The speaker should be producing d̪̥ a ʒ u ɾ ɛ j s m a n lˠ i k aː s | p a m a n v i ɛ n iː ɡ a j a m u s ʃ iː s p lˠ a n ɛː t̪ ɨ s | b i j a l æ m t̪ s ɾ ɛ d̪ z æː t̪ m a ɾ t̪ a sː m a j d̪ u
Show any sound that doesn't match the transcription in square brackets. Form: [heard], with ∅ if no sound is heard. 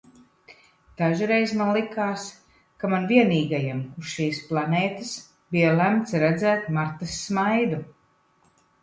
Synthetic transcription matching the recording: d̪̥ a ʒ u ɾ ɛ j [z] m a n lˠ i k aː s | [k] a m a n v i ɛ n iː ɡ a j a m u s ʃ iː s p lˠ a n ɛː t̪ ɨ s | b i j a l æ m t̪ s ɾ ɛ d̪ z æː t̪ m a ɾ t̪ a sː m a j d̪ u